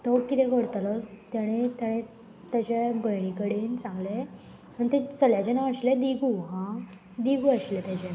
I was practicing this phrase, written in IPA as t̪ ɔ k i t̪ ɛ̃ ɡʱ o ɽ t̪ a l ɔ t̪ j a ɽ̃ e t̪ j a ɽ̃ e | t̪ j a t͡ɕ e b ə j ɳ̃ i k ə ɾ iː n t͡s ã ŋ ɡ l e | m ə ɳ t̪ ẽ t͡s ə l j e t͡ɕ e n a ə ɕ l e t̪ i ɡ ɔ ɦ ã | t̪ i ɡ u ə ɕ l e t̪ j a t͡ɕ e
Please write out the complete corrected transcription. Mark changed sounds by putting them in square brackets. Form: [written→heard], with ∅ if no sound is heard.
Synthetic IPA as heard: t̪ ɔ k i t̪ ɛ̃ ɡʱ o ɽ t̪ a l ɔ t̪ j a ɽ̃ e t̪ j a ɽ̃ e | t̪ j a t͡ɕ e b ə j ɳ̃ i k ə [ɾ→ɽ] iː n t͡s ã ŋ ɡ l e | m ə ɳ t̪ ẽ t͡s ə l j [e→a] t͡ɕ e n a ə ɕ l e [t̪→d̪] i ɡ [ɔ→u] ɦ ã | [t̪→d̪] i ɡ u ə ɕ l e t̪ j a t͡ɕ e